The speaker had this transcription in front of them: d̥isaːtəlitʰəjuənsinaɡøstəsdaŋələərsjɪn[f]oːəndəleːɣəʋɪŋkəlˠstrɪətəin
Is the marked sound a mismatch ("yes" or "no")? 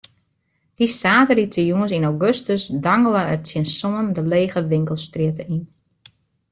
yes